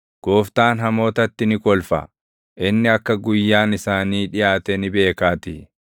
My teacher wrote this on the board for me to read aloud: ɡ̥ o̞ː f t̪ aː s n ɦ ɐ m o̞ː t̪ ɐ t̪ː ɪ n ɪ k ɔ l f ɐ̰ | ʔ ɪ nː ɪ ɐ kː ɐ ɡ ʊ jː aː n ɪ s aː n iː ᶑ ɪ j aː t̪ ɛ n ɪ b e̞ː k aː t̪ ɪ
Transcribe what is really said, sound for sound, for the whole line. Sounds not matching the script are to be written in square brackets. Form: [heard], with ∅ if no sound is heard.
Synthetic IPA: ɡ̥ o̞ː f t̪ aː [∅] n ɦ ɐ m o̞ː t̪ ɐ t̪ː ɪ n ɪ k ɔ l f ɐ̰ | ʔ ɪ nː ɪ ɐ kː ɐ ɡ ʊ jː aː n ɪ s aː n iː ᶑ ɪ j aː t̪ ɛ n ɪ b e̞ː k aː t̪ ɪ